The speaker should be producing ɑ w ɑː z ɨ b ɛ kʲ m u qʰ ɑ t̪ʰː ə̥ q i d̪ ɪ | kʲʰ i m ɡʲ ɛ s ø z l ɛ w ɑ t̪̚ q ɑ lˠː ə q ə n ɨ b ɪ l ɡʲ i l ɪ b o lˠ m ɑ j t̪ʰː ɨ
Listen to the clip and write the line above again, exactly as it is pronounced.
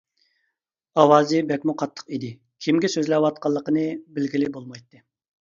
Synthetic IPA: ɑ w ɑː z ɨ b ɛ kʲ m u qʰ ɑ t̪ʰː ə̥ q i d̪ ɪ | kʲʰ i m ɡʲ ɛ s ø z l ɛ w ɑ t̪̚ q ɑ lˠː ə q ə n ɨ b ɪ l ɡʲ i l ɪ b o lˠ m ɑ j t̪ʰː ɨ